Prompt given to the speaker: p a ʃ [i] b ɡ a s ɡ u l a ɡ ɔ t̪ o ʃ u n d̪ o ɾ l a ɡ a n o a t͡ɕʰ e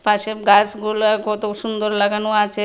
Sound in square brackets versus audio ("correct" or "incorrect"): incorrect